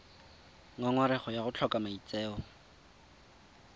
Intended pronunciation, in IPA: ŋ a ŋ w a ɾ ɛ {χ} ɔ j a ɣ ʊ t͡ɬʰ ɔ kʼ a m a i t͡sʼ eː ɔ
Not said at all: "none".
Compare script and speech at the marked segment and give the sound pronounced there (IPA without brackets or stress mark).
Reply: χ